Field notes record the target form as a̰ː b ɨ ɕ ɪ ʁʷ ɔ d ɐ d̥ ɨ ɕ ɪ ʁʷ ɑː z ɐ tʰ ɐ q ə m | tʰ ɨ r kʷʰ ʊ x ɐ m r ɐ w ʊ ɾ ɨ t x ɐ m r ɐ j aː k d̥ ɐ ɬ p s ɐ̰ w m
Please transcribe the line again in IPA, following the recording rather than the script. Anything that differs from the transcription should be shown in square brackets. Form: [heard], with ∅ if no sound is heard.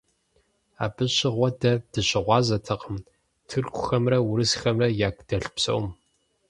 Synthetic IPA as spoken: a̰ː b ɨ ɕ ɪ ʁʷ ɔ d ɐ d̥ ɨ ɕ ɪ ʁʷ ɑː z ɐ tʰ ɐ q ə m | tʰ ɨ r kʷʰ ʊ x ɐ m r ɐ w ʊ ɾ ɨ [s] x ɐ m r ɐ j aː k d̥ ɐ ɬ p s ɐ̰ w m